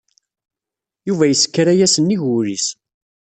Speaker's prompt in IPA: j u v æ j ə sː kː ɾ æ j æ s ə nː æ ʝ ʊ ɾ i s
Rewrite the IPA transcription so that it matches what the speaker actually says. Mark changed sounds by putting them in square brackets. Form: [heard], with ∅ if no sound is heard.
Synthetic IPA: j u v æ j ə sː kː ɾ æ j æ s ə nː [i] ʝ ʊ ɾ i s